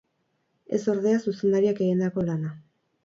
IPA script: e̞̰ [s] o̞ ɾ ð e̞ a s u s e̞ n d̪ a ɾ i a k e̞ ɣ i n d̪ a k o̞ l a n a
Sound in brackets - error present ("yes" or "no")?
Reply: no